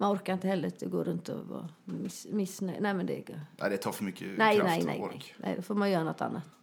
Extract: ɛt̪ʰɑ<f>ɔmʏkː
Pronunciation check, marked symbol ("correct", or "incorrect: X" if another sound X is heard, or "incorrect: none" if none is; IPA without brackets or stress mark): correct